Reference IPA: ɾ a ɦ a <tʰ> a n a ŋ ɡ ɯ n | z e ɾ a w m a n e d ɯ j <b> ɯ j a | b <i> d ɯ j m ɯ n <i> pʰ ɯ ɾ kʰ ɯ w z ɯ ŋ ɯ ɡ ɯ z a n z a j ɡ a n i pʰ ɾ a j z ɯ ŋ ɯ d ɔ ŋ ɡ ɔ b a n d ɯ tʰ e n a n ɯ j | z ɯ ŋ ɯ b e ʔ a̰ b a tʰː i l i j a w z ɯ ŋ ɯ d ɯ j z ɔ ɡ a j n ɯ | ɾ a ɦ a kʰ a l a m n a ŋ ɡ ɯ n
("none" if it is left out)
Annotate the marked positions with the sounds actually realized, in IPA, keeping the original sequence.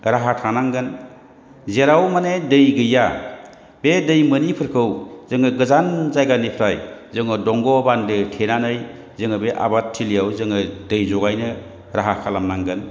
tʰ, ɡ, e, i

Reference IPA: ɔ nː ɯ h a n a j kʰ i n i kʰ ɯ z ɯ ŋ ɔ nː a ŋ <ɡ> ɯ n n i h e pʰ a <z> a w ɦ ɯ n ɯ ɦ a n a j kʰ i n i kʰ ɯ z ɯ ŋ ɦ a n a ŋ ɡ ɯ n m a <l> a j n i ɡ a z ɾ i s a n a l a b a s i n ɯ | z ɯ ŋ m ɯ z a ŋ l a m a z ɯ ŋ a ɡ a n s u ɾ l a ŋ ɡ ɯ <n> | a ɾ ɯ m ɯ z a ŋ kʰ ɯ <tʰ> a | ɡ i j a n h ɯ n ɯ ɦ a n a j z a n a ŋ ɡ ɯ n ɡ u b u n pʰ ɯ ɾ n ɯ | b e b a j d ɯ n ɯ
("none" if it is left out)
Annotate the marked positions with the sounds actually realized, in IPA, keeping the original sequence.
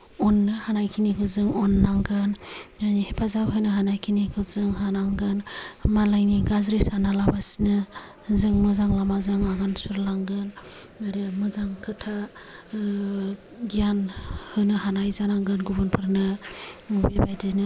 ɡ, z, l, n, tʰ

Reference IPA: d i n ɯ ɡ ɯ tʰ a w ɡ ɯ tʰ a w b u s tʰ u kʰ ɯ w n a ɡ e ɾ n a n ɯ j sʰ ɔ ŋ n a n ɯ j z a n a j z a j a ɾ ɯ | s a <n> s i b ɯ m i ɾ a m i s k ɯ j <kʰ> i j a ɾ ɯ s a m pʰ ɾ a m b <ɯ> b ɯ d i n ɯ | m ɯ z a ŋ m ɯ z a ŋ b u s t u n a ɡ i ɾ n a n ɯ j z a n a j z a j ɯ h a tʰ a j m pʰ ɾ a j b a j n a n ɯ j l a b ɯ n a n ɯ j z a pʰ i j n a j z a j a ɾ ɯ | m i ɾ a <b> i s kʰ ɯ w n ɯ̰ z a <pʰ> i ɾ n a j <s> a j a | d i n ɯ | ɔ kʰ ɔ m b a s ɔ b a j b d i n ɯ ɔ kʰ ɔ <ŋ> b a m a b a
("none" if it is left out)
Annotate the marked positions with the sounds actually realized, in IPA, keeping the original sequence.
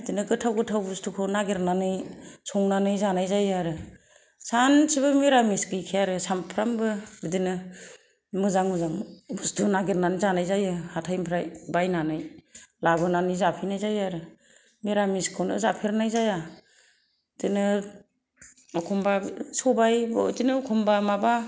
n, kʰ, ɯ, m, pʰ, z, m

